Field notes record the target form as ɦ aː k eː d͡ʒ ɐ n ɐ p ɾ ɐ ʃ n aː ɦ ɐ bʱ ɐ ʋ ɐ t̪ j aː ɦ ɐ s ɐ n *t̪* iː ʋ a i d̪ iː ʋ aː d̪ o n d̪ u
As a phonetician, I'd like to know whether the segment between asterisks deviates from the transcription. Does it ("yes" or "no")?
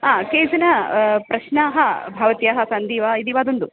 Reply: yes